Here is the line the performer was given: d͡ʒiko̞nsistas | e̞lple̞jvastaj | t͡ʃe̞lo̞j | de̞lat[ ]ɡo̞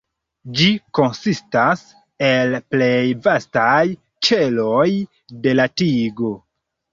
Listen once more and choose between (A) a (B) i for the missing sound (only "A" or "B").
B